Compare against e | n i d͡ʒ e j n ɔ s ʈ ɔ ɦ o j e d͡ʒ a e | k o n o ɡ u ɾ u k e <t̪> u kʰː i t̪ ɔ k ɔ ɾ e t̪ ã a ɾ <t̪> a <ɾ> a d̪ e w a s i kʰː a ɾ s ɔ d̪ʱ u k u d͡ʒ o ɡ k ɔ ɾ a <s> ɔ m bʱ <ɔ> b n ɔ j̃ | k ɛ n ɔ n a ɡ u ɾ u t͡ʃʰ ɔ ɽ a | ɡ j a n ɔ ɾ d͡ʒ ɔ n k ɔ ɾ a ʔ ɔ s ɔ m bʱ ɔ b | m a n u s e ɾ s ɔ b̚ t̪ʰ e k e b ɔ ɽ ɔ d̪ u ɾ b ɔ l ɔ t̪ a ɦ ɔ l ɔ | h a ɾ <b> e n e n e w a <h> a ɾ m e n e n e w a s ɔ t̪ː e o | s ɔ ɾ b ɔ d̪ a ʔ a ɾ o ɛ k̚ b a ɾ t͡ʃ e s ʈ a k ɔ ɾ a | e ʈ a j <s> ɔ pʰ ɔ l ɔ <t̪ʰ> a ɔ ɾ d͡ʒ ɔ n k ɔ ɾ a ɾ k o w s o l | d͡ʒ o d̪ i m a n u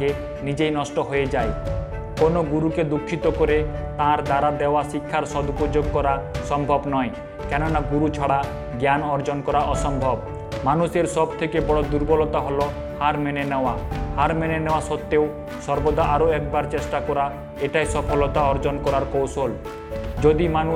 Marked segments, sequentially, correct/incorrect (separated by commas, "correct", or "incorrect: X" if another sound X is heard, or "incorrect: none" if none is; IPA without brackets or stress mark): incorrect: d̪, incorrect: d̪, correct, correct, correct, incorrect: m, correct, correct, incorrect: t̪